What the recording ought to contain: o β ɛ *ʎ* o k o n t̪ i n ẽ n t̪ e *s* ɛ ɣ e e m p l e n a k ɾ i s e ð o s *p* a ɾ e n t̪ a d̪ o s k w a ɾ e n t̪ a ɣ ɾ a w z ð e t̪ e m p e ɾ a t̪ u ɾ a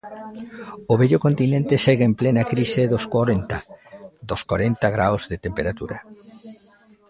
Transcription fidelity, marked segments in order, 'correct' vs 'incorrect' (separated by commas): correct, correct, incorrect